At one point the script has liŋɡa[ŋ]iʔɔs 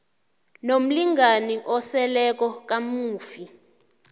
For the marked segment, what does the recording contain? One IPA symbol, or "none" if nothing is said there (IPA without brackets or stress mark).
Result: n